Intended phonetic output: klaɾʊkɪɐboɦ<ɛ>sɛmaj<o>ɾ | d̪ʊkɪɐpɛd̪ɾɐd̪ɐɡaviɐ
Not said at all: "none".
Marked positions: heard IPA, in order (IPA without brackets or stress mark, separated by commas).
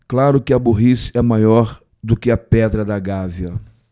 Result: i, ɔ